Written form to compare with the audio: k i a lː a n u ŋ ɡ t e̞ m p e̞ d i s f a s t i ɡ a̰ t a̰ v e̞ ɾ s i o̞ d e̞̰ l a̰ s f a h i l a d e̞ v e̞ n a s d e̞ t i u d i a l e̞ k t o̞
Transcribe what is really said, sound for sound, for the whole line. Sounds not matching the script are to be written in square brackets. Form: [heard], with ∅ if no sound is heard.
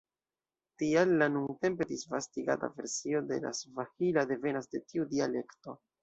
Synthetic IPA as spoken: [t] i a lː a n u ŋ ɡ t e̞ m p e̞ d i s [v] a s t i ɡ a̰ t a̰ v e̞ ɾ s i o̞ d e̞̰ l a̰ s [v] a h i l a d e̞ v e̞ n a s d e̞ t i u d i a l e̞ k t o̞

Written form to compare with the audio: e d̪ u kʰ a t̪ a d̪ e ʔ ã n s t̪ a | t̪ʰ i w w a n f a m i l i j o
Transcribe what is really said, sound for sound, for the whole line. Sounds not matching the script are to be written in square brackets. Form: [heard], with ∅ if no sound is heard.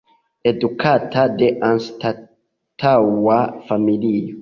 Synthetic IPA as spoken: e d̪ u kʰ a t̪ a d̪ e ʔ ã n s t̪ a | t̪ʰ [a] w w a [∅] f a m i l i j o

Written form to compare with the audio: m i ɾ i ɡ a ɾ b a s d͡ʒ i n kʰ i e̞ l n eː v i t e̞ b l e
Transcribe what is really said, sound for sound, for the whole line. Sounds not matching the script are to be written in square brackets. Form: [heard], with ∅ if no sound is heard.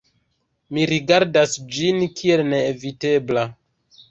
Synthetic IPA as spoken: m i ɾ i ɡ a ɾ [d] a s d͡ʒ i n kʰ i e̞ l n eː v i t e̞ b l [a]

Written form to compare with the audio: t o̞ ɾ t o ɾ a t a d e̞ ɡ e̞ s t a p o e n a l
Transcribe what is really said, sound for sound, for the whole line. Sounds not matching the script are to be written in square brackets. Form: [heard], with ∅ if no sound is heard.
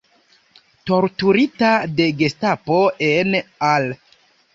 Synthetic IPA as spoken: t o̞ ɾ t [u] ɾ [i] t a d e̞ ɡ e̞ s t a p o e n a l

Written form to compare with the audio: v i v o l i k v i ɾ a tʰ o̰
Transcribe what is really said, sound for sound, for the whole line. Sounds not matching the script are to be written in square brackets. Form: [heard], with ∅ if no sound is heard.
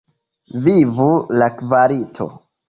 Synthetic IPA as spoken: v i v [u] l [a] k v [a] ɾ [i] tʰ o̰

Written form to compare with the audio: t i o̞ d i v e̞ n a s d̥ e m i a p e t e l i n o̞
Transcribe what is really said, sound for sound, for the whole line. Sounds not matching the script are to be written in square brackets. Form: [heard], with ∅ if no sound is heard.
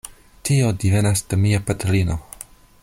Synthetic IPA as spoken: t i o̞ d i v e̞ n a s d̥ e m i a p [a] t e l i n o̞

